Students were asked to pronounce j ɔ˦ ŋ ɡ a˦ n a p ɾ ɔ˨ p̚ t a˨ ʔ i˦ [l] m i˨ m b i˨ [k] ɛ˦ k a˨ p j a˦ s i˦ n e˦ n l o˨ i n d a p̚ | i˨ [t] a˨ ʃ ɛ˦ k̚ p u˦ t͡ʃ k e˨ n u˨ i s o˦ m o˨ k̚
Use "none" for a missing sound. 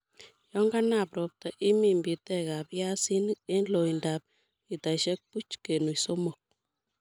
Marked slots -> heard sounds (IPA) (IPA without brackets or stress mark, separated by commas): none, t, t